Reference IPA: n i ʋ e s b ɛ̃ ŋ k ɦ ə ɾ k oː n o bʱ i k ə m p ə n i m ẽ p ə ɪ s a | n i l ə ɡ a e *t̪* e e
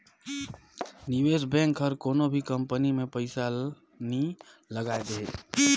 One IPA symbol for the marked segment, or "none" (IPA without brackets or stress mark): d̪